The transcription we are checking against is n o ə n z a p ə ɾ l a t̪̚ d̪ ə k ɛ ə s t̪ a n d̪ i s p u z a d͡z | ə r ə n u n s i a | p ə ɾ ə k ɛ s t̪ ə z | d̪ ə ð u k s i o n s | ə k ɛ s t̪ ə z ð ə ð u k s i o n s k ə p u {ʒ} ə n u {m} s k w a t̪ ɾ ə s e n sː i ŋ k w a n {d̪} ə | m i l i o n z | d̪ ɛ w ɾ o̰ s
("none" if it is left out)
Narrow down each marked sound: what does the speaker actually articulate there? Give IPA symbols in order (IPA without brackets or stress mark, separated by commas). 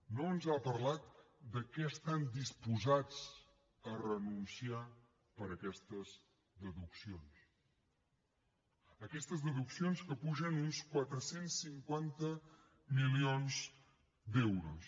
ʒ, n, t̪